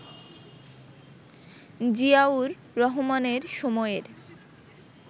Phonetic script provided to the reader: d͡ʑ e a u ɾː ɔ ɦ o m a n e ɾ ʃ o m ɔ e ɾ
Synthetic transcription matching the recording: d͡ʑ i a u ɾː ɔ ɦ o m a n e ɾ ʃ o m ɔ e ɾ